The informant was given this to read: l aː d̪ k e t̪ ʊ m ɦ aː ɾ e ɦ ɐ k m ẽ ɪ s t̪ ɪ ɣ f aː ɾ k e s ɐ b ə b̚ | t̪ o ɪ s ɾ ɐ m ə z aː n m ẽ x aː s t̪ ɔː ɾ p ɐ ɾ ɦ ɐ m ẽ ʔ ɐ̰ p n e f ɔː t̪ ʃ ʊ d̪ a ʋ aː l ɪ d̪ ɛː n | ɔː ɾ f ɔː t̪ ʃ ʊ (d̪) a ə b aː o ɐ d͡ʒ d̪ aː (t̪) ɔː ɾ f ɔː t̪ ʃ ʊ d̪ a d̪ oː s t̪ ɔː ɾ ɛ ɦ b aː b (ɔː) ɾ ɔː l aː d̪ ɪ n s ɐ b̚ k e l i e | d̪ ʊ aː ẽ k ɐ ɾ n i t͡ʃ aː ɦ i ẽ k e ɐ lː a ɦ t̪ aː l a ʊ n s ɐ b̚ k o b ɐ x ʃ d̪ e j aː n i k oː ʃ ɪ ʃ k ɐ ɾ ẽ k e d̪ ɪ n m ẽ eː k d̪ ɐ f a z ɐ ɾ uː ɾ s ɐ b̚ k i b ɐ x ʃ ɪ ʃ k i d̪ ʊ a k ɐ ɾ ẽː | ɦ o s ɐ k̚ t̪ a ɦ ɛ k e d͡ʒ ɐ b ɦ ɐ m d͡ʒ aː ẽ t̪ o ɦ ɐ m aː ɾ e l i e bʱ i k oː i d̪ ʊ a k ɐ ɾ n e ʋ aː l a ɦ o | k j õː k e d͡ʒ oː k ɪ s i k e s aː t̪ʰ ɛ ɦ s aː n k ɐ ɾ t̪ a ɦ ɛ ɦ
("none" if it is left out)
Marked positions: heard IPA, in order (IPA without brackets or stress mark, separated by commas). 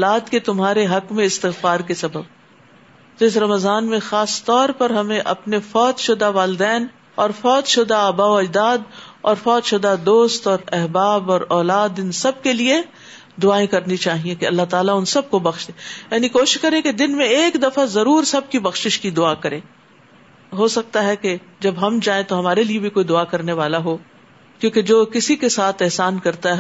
d̪, d̪, ɔː